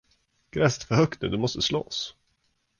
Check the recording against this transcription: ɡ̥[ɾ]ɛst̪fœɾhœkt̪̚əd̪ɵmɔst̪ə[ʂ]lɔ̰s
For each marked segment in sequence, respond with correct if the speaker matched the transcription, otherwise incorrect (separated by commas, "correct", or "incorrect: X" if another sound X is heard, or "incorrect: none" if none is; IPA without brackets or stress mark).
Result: correct, incorrect: s